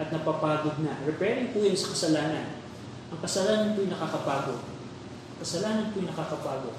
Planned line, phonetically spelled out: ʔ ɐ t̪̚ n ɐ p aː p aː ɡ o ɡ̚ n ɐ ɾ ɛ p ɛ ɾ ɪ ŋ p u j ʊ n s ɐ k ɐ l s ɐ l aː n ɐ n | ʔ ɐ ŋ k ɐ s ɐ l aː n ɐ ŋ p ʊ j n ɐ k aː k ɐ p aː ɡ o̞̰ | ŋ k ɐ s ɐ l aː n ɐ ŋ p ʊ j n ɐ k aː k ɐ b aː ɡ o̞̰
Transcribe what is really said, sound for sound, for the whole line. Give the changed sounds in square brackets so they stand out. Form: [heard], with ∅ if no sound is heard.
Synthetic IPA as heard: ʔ ɐ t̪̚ n ɐ p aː p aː ɡ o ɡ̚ n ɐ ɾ ɛ p ɛ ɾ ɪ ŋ p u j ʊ n s ɐ k ɐ [∅] s ɐ l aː n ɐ n | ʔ ɐ ŋ k ɐ s ɐ l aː n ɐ [n] p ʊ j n ɐ k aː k ɐ p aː ɡ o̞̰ | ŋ k ɐ s ɐ l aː n ɐ [n] p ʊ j n ɐ k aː k ɐ [p] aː ɡ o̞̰